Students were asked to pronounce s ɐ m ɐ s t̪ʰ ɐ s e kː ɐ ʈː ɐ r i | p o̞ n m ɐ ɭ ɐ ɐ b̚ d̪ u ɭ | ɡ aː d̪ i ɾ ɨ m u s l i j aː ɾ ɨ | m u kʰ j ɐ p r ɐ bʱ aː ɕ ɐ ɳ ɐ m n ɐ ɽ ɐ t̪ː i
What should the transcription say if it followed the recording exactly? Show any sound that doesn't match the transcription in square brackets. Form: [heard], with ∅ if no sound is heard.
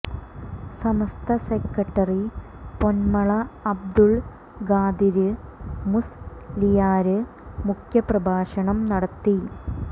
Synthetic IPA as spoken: s ɐ m ɐ s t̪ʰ ɐ s e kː ɐ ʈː ɐ r i | p o̞ n m ɐ ɭ ɐ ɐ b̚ d̪ u ɭ | ɡ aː d̪ i ɾ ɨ m u s l i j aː ɾ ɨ | m u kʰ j ɐ p r ɐ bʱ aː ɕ ɐ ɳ ɐ m n ɐ ɽ ɐ t̪ː i